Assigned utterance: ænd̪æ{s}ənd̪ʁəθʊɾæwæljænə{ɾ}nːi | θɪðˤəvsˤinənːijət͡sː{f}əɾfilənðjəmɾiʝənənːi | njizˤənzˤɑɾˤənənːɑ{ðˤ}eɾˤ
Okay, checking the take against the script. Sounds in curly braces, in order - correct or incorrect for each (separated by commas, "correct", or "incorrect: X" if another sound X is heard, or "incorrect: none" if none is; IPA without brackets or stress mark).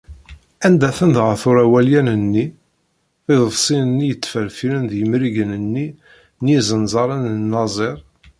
incorrect: θ, incorrect: none, correct, incorrect: zˤ